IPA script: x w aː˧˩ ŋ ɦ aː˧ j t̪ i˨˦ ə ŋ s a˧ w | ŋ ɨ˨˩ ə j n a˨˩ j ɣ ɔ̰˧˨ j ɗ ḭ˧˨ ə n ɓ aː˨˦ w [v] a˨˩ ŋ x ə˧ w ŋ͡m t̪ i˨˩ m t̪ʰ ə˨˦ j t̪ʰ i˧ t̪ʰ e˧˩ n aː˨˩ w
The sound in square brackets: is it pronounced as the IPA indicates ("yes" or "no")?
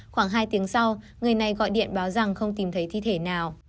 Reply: no